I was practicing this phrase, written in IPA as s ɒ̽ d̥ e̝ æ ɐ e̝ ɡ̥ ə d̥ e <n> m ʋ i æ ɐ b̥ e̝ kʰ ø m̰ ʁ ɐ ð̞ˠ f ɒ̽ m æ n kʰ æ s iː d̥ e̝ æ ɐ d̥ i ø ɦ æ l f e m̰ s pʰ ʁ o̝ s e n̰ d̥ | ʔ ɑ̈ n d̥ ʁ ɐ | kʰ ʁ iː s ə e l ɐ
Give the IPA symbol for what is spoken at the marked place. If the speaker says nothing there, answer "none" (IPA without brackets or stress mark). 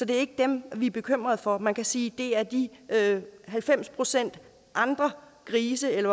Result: none